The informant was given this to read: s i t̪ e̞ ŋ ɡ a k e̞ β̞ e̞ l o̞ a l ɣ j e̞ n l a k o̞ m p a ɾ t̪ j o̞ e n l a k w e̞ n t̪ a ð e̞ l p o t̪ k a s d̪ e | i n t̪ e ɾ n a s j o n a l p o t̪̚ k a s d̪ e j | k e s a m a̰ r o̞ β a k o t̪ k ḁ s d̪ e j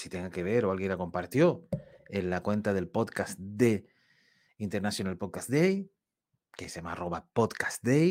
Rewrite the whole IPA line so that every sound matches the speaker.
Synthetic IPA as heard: s i t̪ e̞ ŋ ɡ a k e̞ β̞ e̞ ɾ o̞ a l ɣ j e̞ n l a k o̞ m p a ɾ t̪ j o̞ e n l a k w e̞ n t̪ a ð e̞ l p o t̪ k a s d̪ e | i n t̪ e ɾ n a s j o n a l p o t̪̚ k a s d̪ e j | k e s a m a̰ r o̞ β a p o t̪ k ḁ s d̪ e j